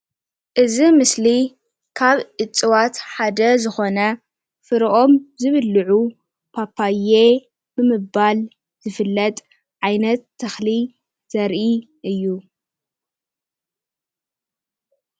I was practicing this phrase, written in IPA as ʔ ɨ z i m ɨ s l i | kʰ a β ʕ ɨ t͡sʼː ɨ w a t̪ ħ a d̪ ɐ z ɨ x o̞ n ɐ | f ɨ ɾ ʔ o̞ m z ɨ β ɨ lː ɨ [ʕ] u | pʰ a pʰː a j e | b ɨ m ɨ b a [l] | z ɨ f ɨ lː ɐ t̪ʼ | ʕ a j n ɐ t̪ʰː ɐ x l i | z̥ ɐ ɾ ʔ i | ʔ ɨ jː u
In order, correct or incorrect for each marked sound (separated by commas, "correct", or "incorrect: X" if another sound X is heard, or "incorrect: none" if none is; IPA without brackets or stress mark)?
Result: correct, correct